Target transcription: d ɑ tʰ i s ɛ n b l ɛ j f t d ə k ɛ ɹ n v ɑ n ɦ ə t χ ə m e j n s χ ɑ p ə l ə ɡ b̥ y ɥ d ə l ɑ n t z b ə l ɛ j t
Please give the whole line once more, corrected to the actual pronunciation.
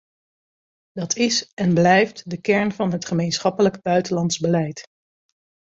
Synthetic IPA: d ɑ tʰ ɪ s ɛ n b l ɛ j f t d ə k ɛ ɹ n v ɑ n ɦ ə t χ ə m e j n s χ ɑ p ə l ə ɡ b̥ œ ɥ t ə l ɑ n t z b ə l ɛ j t